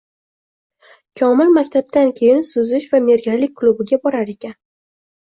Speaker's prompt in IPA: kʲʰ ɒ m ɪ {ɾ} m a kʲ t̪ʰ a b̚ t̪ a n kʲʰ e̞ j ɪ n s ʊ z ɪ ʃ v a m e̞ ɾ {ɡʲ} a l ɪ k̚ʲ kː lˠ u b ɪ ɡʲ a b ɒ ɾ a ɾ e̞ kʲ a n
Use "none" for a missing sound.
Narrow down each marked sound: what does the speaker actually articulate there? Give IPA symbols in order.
l, ɡʲ

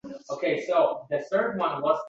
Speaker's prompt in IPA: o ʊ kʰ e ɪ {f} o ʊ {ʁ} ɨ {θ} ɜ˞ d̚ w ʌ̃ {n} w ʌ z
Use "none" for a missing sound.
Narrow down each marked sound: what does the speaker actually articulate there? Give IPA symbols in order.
s, ð, θ, n

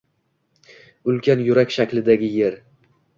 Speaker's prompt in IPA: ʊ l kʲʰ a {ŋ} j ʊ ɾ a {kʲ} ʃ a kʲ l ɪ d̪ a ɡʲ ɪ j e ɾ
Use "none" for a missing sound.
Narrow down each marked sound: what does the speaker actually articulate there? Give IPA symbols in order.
n, kʲ

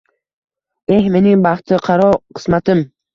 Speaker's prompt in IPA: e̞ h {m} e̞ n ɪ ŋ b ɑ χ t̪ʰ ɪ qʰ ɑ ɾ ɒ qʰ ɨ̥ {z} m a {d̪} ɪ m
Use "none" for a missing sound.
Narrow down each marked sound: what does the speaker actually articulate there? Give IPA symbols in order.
m, s, t̪

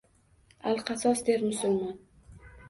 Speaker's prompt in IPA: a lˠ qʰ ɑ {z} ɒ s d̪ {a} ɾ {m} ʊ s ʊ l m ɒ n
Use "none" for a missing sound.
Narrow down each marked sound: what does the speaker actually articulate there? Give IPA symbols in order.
s, e, m

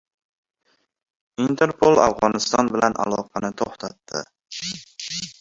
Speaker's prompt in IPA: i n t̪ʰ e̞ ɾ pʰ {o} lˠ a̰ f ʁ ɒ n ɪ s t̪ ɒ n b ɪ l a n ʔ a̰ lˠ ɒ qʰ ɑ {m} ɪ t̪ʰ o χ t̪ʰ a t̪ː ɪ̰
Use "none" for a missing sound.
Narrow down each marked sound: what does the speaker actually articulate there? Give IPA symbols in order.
o, n

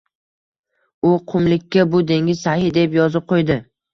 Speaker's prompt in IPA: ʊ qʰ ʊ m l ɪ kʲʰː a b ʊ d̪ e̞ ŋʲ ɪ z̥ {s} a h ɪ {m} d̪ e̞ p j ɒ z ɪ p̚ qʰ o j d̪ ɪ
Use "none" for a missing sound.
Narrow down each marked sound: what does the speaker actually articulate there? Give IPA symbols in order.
s, none

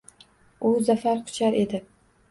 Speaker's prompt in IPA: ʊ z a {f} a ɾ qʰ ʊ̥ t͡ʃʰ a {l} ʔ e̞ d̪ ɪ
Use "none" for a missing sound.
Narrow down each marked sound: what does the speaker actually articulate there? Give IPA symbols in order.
f, ɾ

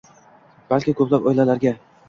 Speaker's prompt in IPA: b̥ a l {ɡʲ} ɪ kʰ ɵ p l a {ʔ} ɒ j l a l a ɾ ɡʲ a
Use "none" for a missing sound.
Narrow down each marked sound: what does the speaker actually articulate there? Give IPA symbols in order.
kʲ, p

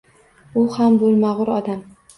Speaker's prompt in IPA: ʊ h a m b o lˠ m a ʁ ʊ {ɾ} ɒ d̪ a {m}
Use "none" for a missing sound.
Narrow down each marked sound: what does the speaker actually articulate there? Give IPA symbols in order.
ɾ, m

